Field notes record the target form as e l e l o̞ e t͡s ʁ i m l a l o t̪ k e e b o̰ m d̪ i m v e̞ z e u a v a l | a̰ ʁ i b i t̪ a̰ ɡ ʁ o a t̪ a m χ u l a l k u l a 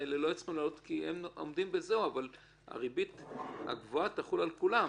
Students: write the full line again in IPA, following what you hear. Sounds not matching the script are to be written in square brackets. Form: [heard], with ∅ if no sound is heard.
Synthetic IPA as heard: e l e l o̞ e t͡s [χ] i m l a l o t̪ k [i] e [m] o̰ m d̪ i m [b] e̞ z e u a v a l | a̰ ʁ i b i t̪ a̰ ɡ [v] o a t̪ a [∅] χ u l a l k u l a

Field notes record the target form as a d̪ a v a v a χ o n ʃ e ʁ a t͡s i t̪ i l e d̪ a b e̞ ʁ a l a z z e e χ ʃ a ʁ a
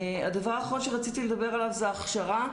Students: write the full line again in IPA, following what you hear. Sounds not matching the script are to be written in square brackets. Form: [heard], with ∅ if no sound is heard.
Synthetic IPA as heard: a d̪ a v a [ʁ] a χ o n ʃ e ʁ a t͡s i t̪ i l e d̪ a b e̞ ʁ a l a [v] z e [a] χ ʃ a ʁ a

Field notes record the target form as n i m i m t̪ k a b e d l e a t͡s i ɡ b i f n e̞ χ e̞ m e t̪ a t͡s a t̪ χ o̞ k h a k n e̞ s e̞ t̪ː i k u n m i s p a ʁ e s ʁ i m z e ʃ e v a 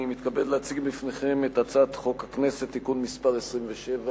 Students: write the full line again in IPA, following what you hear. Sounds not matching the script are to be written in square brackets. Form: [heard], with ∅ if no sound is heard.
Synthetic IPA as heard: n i m i [∅] t̪ k a b e d l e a t͡s i ɡ b i f n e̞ χ e̞ m e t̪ a t͡s a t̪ χ o̞ k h a k n e̞ s e̞ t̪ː i k u n m i s p a ʁ e s ʁ i m [v] e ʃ e v a

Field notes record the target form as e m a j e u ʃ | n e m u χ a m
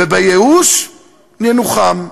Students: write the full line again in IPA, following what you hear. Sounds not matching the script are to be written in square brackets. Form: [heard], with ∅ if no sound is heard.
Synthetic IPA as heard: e [b] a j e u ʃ | n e [n] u χ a m

